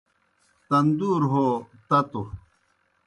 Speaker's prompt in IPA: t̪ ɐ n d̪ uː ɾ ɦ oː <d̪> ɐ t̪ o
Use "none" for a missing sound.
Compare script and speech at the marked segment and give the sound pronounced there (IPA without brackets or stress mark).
t̪